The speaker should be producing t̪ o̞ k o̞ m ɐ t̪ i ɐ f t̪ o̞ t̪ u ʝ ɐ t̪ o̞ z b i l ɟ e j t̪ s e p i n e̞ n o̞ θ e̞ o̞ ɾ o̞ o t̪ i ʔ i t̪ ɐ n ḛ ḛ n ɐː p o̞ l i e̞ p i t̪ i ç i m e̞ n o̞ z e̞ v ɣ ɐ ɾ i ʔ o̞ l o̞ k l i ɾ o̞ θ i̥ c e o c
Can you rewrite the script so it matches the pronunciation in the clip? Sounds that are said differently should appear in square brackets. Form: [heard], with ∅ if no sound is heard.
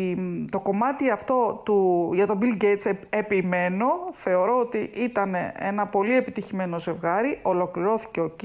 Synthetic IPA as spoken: t̪ o̞ k o̞ m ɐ t̪ i ɐ f t̪ o̞ t̪ u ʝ ɐ t̪ o̞ [∅] b i l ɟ e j t̪ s e p i [m] e̞ n o̞ θ e̞ o̞ ɾ o̞ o t̪ i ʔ i t̪ ɐ n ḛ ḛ n [ɐ] p o̞ l i e̞ p i t̪ i ç i m e̞ n o̞ z e̞ v ɣ ɐ ɾ i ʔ o̞ l o̞ k l i ɾ o̞ θ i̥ c e o c